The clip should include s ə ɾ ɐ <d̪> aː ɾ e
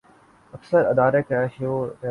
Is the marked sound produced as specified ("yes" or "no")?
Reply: yes